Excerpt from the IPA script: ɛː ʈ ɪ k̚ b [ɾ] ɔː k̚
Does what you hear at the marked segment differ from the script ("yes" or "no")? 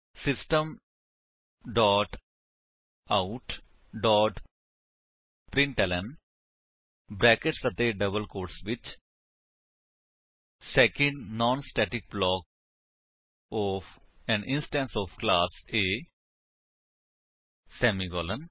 yes